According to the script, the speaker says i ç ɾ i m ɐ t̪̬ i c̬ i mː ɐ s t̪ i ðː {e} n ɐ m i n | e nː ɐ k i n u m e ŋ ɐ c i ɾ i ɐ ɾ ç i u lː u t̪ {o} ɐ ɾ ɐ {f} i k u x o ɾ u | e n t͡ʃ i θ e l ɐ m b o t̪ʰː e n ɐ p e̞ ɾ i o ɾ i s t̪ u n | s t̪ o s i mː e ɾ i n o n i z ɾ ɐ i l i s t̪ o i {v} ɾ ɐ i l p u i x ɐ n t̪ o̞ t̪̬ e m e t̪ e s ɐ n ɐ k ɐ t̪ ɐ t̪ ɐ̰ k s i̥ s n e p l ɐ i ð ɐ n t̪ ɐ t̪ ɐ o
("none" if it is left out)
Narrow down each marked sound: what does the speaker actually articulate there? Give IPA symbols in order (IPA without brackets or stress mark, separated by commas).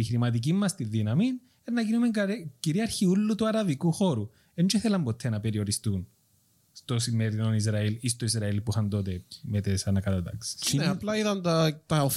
i, u, v, z